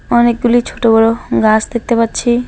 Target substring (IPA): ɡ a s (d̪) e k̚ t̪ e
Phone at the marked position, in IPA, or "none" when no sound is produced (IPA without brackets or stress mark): d̪